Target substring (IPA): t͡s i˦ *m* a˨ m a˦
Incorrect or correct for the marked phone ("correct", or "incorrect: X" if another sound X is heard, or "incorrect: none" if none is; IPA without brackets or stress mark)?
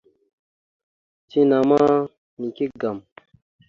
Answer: incorrect: n